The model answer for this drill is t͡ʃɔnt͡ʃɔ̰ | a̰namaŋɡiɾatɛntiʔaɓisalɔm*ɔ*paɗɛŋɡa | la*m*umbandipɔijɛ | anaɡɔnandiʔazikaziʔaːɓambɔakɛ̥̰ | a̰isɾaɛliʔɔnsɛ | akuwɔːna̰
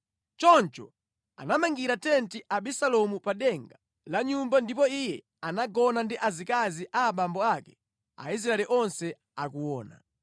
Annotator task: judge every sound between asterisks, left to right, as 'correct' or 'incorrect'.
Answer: incorrect: u, incorrect: ɲ

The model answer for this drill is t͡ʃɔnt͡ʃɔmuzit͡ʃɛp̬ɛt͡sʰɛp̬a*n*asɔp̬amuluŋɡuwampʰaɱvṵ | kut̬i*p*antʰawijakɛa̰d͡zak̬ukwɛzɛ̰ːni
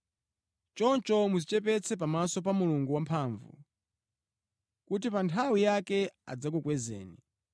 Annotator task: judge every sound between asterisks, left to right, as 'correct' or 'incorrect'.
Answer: incorrect: m, correct

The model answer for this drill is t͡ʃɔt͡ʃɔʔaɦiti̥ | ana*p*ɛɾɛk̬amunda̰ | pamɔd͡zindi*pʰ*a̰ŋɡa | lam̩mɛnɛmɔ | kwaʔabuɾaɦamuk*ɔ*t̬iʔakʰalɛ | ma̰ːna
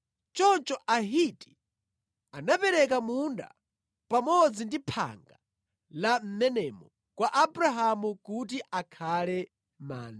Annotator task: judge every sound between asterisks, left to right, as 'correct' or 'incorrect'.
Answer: correct, correct, incorrect: u

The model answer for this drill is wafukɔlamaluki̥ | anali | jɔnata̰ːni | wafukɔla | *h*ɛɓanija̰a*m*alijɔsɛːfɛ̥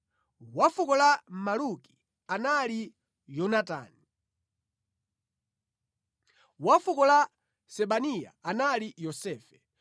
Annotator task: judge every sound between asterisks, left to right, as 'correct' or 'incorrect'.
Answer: incorrect: s, incorrect: n

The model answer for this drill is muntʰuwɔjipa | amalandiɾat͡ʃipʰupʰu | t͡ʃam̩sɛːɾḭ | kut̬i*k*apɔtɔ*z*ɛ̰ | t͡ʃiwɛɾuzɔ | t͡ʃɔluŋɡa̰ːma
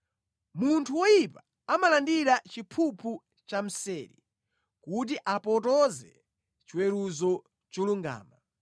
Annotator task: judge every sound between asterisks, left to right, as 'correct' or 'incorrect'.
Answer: incorrect: ʔ, correct

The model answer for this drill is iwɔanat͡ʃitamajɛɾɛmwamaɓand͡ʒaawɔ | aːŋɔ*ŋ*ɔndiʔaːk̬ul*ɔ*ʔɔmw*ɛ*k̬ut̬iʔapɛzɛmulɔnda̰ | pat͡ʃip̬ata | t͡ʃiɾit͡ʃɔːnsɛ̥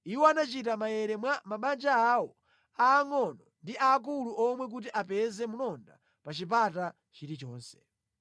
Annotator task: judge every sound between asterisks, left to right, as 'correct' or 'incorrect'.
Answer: incorrect: n, incorrect: u, correct

